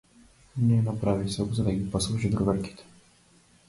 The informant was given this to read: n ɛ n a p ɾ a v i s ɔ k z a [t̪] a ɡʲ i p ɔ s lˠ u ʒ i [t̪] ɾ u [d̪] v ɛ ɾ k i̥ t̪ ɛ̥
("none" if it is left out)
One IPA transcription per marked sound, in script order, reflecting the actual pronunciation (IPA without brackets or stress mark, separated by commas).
d̪, d̪, none